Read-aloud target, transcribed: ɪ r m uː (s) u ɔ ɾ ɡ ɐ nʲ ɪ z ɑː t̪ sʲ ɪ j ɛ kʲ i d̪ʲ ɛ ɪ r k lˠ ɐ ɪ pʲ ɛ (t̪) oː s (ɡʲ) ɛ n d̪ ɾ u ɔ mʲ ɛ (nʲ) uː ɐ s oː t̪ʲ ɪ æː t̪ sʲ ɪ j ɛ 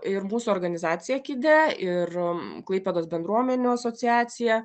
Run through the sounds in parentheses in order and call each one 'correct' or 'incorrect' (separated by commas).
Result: correct, incorrect, incorrect, correct